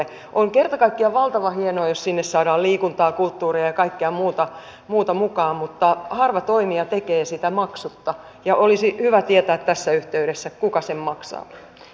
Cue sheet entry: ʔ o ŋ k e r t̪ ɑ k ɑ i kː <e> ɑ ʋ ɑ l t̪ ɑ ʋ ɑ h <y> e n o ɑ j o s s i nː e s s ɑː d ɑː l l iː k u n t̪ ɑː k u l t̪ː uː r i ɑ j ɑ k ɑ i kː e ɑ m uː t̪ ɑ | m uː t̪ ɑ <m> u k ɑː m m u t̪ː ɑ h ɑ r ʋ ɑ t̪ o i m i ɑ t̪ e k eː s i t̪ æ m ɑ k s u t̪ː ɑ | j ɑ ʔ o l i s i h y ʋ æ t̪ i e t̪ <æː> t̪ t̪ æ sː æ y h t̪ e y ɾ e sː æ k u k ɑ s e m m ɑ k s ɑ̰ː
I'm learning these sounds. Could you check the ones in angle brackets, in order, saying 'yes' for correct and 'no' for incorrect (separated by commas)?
no, no, yes, yes